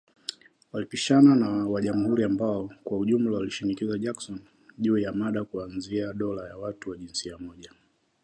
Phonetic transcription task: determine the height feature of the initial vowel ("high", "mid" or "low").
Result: low